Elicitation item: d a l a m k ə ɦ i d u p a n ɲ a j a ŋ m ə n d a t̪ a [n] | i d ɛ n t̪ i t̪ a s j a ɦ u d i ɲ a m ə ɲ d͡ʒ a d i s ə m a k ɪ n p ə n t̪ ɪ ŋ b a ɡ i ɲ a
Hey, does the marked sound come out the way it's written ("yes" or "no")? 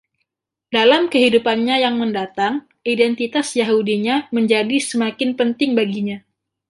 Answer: no